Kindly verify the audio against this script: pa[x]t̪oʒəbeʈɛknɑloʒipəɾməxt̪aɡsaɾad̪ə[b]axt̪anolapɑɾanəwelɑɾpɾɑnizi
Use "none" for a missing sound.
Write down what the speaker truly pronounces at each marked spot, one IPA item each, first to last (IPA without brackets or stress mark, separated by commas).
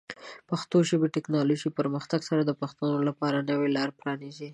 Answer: x, p